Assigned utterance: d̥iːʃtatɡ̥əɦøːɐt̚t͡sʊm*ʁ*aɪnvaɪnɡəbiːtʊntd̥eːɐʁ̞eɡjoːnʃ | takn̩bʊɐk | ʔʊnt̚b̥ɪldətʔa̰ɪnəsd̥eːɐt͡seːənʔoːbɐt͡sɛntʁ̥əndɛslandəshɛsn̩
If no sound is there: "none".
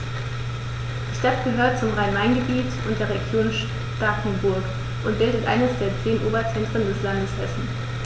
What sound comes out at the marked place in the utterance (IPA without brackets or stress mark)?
ʁ